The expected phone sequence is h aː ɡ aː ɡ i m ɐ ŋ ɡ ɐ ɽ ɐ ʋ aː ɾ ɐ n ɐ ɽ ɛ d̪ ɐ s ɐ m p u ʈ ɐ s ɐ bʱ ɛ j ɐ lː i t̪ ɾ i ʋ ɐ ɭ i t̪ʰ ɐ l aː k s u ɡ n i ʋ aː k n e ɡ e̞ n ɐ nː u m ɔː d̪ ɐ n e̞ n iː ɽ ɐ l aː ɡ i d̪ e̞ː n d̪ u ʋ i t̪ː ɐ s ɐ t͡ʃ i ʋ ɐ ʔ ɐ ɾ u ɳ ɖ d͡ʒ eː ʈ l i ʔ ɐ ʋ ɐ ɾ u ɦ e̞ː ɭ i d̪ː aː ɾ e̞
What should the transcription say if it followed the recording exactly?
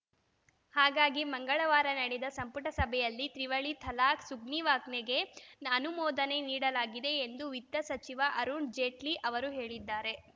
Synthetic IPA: h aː ɡ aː ɡ i m ɐ ŋ ɡ ɐ ɭ ɐ ʋ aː ɾ ɐ n ɐ ɽ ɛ d̪ ɐ s ɐ m p u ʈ ɐ s ɐ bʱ ɛ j ɐ lː i t̪ ɾ i ʋ ɐ ɭ i t̪ʰ ɐ l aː k s u ɡ n i ʋ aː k n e ɡ e̞ n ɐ n u m ɔː d̪ ɐ n e̞ n iː ɽ ɐ l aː ɡ i d̪ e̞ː n d̪ u ʋ i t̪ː ɐ s ɐ t͡ʃ i ʋ ɐ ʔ ɐ ɾ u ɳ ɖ d͡ʒ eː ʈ l i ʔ ɐ ʋ ɐ ɾ u ɦ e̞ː ɭ i d̪ː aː ɾ e̞